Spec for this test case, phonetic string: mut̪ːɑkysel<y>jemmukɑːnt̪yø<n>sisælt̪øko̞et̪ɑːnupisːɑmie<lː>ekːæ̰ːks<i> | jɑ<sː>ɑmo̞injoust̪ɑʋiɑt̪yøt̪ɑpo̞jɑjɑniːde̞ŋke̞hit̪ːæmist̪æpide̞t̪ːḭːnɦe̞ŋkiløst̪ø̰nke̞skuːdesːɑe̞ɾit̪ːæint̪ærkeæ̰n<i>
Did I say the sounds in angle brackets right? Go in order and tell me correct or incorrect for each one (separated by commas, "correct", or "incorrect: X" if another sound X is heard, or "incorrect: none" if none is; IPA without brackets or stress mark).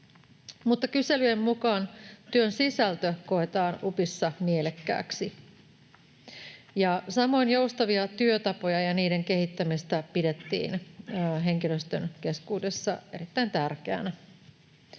correct, correct, incorrect: l, correct, incorrect: s, incorrect: æ